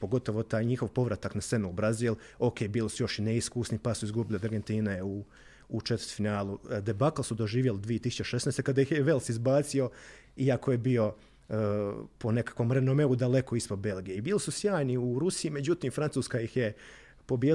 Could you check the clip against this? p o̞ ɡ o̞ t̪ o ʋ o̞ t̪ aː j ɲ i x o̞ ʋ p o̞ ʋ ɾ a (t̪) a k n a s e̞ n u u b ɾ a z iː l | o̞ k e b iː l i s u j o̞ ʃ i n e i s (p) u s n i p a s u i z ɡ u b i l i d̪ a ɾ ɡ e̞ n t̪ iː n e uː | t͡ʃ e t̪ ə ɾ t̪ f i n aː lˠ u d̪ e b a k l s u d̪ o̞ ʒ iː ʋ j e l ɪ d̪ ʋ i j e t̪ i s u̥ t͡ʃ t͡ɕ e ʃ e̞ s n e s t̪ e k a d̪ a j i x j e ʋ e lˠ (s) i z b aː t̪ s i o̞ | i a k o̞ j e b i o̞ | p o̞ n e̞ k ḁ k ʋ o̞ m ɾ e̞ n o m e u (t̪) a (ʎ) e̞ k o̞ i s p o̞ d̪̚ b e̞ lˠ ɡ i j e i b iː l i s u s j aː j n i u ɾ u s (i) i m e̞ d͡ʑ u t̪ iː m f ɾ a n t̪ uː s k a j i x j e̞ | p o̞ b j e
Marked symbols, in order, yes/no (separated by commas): yes, no, yes, no, no, yes